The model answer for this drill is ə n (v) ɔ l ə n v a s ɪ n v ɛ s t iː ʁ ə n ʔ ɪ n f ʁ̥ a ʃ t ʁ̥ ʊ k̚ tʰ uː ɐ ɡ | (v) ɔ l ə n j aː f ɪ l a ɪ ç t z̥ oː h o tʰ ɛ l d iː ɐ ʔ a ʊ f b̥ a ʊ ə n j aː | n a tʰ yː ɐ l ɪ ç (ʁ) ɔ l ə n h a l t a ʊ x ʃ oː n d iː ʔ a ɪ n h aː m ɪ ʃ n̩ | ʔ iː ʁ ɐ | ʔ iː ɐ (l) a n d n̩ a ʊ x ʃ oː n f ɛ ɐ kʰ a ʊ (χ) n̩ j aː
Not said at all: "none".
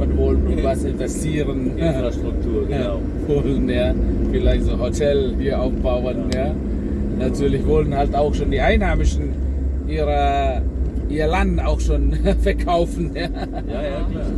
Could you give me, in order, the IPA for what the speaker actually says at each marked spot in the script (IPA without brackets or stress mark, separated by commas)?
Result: v, v, v, l, f